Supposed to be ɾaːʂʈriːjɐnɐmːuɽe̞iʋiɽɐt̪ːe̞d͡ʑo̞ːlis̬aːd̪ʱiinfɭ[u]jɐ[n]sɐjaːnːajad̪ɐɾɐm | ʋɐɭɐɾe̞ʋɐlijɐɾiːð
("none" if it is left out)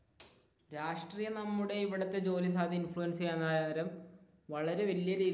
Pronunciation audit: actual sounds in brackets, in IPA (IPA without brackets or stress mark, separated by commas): u, n